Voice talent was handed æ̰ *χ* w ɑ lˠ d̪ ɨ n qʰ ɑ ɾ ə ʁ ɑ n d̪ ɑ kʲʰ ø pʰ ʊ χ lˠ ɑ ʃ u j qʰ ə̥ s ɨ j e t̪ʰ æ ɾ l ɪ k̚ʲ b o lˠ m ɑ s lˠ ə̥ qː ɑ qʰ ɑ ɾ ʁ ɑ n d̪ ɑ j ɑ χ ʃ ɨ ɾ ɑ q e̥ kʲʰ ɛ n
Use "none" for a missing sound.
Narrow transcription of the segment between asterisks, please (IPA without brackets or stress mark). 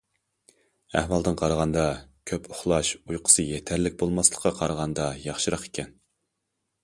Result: h